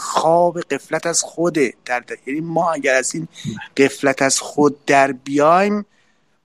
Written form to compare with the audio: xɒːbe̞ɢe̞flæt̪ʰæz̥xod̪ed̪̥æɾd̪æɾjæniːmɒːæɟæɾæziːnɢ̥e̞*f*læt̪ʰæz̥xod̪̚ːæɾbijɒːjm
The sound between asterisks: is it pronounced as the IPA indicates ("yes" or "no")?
yes